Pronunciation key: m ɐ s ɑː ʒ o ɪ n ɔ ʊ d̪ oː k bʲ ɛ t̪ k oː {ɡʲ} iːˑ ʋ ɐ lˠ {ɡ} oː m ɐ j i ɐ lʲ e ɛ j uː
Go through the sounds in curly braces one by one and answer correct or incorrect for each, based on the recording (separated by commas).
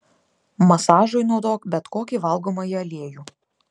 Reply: incorrect, correct